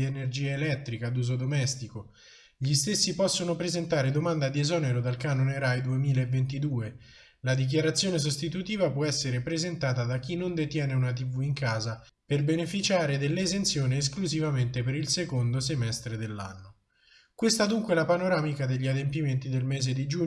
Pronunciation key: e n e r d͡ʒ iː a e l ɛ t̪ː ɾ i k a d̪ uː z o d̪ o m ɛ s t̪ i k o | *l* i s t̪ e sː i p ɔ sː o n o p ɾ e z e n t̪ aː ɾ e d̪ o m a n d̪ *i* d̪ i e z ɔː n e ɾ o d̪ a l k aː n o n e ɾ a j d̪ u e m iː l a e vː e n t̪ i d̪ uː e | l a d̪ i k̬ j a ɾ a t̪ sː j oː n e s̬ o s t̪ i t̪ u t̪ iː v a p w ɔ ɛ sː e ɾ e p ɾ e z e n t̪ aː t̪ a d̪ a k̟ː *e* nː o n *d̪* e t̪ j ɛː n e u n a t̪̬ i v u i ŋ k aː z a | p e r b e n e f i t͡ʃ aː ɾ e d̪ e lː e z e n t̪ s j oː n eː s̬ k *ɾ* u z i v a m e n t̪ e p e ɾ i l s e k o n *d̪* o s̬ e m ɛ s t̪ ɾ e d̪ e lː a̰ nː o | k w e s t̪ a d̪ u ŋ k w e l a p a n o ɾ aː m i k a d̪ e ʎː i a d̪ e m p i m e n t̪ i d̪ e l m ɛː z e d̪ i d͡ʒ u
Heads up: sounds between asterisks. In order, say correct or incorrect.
incorrect, incorrect, incorrect, correct, incorrect, correct

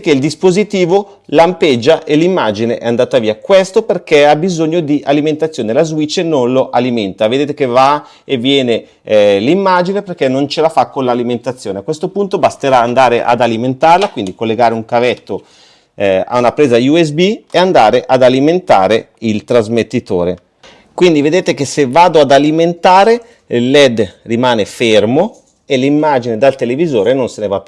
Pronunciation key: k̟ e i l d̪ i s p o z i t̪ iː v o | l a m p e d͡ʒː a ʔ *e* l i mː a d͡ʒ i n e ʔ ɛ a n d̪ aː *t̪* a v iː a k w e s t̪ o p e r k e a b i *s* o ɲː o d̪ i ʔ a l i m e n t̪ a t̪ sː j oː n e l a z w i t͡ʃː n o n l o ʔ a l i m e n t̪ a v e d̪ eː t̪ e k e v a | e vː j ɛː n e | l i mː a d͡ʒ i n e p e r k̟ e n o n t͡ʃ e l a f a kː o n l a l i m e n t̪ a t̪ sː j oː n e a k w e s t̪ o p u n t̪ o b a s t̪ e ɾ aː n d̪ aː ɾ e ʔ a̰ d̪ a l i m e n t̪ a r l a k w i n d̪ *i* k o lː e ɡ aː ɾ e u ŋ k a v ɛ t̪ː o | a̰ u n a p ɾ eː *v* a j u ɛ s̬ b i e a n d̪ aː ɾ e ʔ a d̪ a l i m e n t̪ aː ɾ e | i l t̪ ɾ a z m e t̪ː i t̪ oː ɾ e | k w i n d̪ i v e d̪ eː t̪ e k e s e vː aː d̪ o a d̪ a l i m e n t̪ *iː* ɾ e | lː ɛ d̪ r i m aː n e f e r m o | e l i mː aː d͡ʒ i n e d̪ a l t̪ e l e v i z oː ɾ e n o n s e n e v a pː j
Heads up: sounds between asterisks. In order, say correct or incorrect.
correct, correct, incorrect, correct, incorrect, incorrect

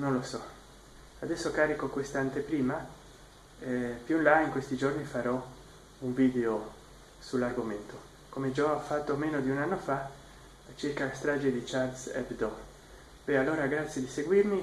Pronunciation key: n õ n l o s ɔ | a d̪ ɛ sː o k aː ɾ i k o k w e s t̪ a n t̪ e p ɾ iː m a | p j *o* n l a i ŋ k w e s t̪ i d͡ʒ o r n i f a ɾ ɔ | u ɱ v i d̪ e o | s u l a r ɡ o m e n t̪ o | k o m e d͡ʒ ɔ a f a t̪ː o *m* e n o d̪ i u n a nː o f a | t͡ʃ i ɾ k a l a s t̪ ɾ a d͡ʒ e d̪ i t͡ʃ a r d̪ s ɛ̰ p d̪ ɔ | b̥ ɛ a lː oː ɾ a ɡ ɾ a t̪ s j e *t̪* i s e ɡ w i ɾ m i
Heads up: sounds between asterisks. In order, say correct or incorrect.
incorrect, correct, incorrect

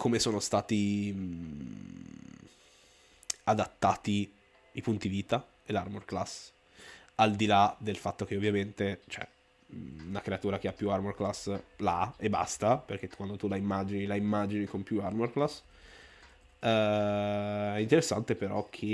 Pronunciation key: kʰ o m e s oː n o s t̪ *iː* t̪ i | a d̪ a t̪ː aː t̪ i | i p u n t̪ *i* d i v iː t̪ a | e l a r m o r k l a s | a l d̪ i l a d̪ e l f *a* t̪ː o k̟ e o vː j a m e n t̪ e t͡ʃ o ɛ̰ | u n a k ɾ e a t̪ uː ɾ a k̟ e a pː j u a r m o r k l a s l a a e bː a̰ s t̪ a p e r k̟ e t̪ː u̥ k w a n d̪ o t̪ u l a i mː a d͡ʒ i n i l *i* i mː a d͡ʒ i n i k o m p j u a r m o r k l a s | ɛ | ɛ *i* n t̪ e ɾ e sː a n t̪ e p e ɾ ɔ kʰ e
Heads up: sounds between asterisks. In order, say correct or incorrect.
incorrect, correct, correct, incorrect, correct

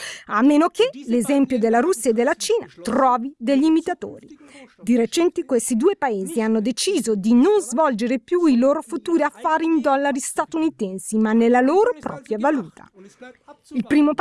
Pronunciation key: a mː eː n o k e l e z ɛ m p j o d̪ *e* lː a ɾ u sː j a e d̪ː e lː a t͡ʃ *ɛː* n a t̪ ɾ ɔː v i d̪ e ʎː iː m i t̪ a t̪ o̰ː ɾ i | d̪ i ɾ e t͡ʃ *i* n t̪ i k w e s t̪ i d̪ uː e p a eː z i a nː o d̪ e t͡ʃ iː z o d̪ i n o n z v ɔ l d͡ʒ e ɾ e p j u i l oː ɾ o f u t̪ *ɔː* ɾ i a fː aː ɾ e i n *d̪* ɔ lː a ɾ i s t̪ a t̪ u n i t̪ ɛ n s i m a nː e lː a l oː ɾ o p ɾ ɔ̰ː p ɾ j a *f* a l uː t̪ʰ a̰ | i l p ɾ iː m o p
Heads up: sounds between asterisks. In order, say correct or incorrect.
correct, incorrect, incorrect, incorrect, correct, incorrect

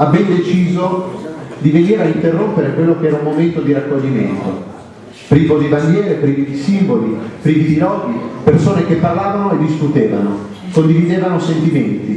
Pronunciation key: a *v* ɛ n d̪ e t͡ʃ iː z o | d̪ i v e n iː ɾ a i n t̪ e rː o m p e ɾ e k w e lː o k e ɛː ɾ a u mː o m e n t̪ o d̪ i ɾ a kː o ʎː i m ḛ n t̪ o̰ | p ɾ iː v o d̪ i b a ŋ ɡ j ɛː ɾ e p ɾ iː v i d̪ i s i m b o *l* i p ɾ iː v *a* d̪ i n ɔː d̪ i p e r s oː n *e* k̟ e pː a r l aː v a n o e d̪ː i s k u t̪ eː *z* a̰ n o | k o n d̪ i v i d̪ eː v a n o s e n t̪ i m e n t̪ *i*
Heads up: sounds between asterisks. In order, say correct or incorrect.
incorrect, correct, incorrect, correct, incorrect, correct

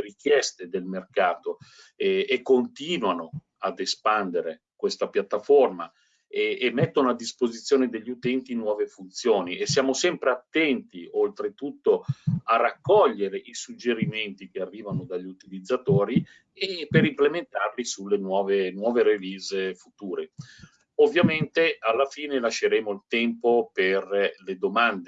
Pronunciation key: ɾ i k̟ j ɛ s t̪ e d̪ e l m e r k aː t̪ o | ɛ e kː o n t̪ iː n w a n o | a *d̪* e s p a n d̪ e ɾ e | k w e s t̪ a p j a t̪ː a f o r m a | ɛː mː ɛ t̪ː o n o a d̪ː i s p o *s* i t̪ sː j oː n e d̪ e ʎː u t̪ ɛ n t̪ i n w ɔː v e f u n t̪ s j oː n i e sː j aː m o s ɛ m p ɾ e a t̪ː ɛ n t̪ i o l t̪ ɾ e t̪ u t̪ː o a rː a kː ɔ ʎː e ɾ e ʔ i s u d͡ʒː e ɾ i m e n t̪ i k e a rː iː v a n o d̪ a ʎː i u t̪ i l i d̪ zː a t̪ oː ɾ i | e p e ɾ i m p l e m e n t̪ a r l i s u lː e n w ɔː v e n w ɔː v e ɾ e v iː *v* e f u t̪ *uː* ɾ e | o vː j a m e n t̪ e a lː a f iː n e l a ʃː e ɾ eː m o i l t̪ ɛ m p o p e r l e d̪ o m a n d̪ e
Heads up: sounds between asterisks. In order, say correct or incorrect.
correct, incorrect, incorrect, correct

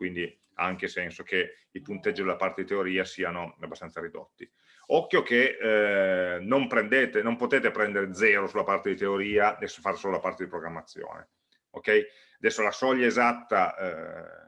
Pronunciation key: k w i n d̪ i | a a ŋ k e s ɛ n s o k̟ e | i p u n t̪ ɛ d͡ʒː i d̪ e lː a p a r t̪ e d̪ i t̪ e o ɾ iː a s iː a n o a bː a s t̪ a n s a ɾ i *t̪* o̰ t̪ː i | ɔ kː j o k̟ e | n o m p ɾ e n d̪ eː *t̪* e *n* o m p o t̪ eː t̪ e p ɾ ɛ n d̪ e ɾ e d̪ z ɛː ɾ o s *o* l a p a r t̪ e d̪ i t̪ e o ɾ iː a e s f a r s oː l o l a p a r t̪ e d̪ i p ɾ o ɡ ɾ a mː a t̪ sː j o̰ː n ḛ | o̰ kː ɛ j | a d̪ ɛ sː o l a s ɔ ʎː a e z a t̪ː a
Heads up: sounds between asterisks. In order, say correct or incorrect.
incorrect, correct, correct, incorrect

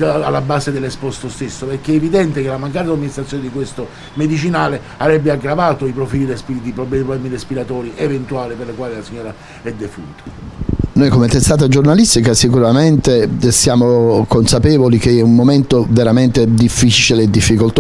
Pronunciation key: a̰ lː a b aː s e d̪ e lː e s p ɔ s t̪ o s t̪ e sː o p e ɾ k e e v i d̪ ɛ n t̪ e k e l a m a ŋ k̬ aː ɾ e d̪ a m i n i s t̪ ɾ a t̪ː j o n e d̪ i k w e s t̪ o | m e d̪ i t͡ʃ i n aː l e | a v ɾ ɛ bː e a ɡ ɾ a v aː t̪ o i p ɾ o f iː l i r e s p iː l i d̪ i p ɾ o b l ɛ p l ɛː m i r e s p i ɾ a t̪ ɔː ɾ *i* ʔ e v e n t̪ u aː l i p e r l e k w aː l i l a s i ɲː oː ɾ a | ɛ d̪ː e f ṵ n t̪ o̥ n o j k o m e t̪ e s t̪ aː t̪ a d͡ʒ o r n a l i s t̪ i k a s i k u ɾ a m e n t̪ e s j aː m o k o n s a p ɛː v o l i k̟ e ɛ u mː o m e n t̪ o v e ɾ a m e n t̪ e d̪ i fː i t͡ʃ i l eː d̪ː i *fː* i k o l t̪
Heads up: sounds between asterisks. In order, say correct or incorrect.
correct, correct

